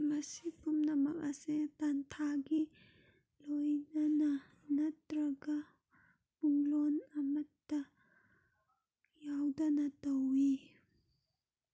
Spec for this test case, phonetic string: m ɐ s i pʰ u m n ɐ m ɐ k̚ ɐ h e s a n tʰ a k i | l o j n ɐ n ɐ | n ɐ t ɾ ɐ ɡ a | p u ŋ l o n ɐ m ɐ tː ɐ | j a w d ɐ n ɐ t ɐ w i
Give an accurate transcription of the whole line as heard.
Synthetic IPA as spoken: m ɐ s i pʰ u m n ɐ m ɐ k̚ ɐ s e t a n tʰ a ɡ i | l o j n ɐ n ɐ | n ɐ t ɾ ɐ ɡ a | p u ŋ l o n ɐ m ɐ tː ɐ | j a w d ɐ n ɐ t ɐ w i